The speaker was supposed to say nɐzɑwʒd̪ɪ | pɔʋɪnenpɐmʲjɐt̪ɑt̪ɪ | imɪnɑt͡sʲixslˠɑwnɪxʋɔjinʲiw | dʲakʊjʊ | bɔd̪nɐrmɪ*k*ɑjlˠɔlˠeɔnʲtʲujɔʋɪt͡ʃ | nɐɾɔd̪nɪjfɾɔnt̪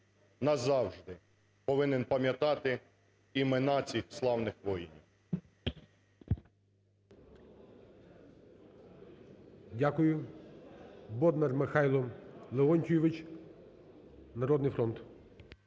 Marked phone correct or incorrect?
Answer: incorrect